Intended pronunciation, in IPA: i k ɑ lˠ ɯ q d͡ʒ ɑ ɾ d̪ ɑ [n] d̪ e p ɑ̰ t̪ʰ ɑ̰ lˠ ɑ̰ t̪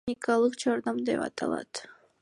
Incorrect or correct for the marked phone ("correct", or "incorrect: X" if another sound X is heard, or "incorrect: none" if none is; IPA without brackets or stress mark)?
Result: incorrect: m